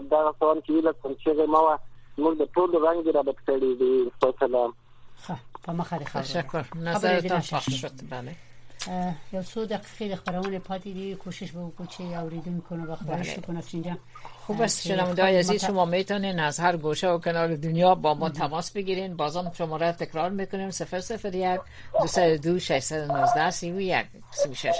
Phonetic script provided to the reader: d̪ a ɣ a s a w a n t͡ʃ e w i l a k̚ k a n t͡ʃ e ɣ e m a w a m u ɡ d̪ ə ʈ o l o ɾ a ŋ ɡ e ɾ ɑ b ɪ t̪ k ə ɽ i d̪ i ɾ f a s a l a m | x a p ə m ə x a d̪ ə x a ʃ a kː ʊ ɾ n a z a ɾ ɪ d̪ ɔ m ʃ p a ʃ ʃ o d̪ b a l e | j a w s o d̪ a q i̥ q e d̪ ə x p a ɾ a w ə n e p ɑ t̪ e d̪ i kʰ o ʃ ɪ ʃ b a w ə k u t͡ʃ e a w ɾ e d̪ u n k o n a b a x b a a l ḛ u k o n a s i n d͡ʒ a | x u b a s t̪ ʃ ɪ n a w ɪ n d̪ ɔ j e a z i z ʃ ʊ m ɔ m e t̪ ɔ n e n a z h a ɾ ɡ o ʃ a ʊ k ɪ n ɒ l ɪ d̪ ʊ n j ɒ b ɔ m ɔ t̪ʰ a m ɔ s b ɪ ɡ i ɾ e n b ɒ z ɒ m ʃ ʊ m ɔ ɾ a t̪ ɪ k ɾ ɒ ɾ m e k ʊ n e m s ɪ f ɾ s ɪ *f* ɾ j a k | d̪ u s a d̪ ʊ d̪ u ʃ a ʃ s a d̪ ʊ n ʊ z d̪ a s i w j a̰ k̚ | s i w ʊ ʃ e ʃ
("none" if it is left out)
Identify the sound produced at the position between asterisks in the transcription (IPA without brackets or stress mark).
f